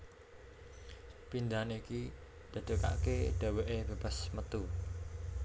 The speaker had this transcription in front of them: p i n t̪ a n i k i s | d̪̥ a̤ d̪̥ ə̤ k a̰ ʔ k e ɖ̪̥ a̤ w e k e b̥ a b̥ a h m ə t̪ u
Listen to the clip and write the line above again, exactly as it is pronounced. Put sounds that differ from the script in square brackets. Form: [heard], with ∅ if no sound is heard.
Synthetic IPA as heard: p i n [d̪] a n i k i [∅] | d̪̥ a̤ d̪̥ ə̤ k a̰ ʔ k e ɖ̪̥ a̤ w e [ʔ] e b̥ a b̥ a [s] m ə t̪ u

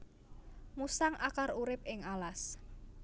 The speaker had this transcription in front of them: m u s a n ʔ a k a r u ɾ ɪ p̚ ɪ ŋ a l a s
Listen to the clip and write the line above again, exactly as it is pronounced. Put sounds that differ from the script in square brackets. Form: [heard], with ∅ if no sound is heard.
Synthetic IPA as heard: m u s a [ŋ] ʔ a k a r u ɾ ɪ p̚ ɪ ŋ a l a s

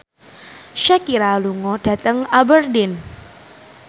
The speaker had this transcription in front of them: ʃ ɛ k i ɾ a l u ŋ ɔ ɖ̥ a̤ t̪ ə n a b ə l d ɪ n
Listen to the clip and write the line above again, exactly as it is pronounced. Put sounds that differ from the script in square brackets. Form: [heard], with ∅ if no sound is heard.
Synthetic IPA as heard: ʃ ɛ k i ɾ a l u ŋ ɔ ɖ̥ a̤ t̪ ə [ŋ] a b ə [r] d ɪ n

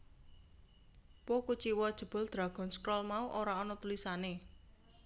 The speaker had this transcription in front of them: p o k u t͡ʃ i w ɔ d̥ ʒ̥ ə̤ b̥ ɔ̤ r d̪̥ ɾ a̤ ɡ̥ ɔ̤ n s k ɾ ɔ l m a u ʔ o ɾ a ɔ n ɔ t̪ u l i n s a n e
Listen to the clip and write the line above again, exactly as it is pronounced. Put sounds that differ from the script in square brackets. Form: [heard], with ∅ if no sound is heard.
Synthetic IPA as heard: p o k u t͡ʃ i w ɔ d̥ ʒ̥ ə̤ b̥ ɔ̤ [l] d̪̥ ɾ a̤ ɡ̥ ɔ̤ n s k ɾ ɔ l m a u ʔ o ɾ a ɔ n ɔ t̪ u l i [∅] s a n e

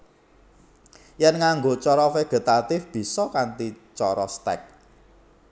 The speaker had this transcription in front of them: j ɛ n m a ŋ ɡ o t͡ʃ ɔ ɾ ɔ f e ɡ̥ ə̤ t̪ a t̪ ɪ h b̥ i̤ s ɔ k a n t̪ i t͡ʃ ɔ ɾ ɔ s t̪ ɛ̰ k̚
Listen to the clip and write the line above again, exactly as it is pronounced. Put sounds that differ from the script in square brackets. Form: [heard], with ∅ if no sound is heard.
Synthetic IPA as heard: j ɛ n [ŋ] a ŋ ɡ o t͡ʃ ɔ ɾ ɔ f e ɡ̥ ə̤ t̪ a t̪ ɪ [f] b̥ i̤ s ɔ k a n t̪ i t͡ʃ ɔ ɾ ɔ s t̪ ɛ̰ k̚

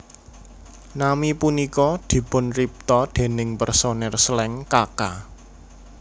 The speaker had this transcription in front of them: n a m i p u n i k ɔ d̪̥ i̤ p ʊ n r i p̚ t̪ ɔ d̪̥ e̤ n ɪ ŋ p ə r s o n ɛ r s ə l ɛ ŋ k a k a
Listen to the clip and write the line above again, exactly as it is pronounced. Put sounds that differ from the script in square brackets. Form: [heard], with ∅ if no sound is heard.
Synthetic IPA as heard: n a m i p u n i k ɔ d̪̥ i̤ p ʊ n r i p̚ t̪ ɔ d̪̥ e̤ n ɪ ŋ p ə r s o n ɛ r s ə l ɛ ŋ k a k a

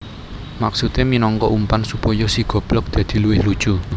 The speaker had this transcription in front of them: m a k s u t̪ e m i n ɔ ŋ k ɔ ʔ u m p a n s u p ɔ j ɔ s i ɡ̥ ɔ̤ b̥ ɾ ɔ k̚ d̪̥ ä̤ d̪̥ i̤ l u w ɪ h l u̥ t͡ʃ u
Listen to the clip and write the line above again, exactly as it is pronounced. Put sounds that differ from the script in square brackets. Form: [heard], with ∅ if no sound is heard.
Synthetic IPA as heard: m a k s u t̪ e m i n ɔ ŋ k ɔ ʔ u m p a n s u p ɔ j ɔ s i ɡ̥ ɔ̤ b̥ [l] ɔ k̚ d̪̥ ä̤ d̪̥ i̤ l u w ɪ h l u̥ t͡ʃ u

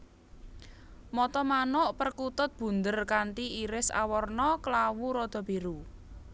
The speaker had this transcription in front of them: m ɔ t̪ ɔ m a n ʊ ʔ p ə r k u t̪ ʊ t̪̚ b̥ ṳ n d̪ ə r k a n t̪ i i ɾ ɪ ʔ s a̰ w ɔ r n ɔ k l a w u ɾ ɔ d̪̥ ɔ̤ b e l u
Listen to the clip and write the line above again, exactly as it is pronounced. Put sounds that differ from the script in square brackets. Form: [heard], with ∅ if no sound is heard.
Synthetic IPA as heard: m ɔ t̪ ɔ m a n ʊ ʔ p ə r k u t̪ ʊ t̪̚ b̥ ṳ n d̪ ə r k a n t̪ i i ɾ ɪ [∅] s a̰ w ɔ r n ɔ k l a w u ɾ ɔ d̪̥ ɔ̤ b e [ɾ] u

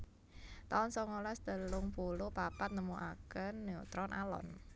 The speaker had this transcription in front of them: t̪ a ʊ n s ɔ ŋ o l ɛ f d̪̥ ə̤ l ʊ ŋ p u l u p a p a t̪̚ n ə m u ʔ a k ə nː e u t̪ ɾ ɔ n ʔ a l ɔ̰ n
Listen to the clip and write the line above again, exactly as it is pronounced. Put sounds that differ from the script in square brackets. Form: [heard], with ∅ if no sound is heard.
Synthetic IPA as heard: t̪ a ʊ n s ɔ ŋ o l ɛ [s] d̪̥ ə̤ l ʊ ŋ p u l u p a p a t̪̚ n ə m u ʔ a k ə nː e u t̪ ɾ ɔ n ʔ a l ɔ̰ n

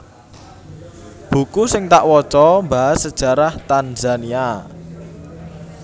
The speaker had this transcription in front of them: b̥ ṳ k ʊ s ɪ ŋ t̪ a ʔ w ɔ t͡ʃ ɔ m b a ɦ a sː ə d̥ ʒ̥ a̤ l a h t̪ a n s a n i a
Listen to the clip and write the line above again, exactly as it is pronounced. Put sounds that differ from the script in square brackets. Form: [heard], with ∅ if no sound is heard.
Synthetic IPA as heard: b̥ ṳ k [u] s ɪ ŋ t̪ a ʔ w ɔ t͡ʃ ɔ m b a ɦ a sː ə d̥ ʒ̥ a̤ [ɾ] a h t̪ a n [z] a n i a

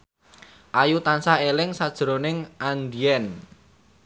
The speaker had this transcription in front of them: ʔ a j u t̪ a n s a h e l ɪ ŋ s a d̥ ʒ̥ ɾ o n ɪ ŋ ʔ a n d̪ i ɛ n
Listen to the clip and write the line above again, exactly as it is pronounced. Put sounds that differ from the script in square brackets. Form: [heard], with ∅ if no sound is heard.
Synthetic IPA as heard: ʔ a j u t̪ a n s a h e l ɪ ŋ s a d̥ ʒ̥ ɾ o n ɪ ŋ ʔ a n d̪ i ɛ n

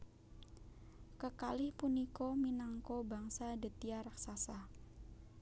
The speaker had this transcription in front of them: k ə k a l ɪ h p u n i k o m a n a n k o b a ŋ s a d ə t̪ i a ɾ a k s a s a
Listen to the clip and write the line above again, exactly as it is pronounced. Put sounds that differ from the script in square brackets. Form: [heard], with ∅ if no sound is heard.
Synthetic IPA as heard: k ə k a l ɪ h p u n i k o m [i] n a [ŋ] k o b a ŋ s a d ə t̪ i a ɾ a k s a s a

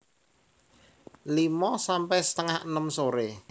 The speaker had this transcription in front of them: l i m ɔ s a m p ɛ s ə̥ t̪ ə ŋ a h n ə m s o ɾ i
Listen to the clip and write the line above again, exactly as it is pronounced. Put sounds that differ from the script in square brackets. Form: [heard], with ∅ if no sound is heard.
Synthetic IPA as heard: l i m ɔ s a m p ɛ s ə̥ t̪ ə ŋ a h n ə m s o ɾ [e]

